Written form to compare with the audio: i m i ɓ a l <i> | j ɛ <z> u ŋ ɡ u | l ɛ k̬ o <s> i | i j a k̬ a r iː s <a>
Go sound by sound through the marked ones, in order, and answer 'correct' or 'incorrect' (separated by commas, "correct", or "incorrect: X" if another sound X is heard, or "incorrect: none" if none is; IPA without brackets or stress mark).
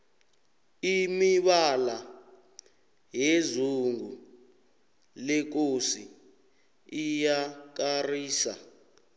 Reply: incorrect: a, correct, correct, correct